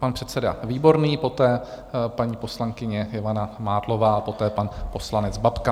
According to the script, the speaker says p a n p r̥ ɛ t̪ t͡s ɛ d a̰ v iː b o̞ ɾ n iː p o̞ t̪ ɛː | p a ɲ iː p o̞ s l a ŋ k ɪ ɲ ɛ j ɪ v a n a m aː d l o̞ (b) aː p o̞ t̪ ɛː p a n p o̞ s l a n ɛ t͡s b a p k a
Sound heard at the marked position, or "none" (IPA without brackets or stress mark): v